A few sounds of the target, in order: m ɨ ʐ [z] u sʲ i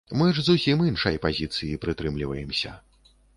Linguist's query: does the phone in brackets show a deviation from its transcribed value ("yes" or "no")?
no